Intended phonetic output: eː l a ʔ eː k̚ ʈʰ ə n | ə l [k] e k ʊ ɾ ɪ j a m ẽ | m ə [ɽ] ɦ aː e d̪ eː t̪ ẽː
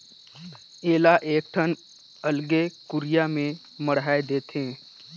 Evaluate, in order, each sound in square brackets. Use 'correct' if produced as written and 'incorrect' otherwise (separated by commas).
incorrect, correct